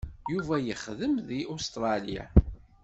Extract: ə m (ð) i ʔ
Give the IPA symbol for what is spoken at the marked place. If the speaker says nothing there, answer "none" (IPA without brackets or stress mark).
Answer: ð